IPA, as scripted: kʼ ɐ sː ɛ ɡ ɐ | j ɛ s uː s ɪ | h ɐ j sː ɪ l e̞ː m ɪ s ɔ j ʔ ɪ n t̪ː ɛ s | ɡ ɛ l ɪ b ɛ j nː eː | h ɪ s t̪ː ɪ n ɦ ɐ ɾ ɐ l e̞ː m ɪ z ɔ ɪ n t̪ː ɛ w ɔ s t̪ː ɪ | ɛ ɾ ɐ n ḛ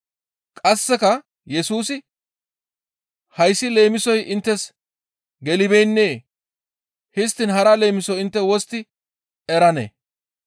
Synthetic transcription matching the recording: kʼ ɐ sː ɛ k ɐ | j ɛ s uː s ɪ | h ɐ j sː ɪ l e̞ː m ɪ s ɔ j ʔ ɪ n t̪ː ɛ s | ɡ ɛ l ɪ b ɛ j nː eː | h ɪ s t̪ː ɪ n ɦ ɐ ɾ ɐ l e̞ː m ɪ s ɔ ɪ n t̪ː ɛ w ɔ s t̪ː ɪ | ɛ ɾ ɐ n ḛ